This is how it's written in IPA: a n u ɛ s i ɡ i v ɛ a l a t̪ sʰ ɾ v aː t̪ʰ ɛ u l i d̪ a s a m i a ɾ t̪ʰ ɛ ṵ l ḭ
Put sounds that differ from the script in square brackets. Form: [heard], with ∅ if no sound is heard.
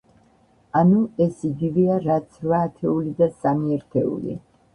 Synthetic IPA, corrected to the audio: a n u ɛ s i ɡ i v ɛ a [ɾ] a t̪ sʰ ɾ v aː t̪ʰ ɛ u l i d̪ a s a m i [ɛ] ɾ t̪ʰ ɛ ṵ l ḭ